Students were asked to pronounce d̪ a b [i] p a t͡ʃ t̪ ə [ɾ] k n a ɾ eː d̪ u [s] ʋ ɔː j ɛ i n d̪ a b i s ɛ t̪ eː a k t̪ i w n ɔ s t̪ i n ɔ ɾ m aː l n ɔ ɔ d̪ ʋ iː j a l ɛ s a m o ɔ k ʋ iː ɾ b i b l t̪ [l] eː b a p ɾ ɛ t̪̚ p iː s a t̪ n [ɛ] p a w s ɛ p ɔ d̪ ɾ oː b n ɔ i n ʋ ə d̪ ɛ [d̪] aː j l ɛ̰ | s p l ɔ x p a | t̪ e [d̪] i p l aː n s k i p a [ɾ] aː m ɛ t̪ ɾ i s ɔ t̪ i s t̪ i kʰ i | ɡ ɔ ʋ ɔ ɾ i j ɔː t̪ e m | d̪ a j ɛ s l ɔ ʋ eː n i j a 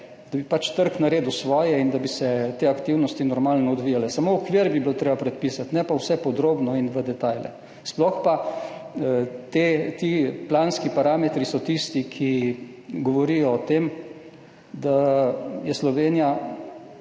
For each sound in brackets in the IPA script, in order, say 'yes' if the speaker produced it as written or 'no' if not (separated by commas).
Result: yes, yes, yes, no, yes, no, no, yes